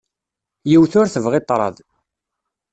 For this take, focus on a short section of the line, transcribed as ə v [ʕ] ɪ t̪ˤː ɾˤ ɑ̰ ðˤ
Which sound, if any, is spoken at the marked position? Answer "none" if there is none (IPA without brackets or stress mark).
ʁ